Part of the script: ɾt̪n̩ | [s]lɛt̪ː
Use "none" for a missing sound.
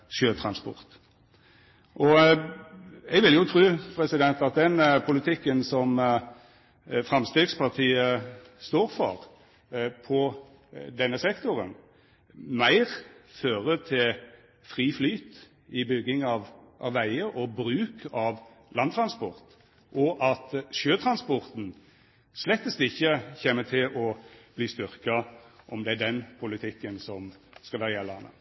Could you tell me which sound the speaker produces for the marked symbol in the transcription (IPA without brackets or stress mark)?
s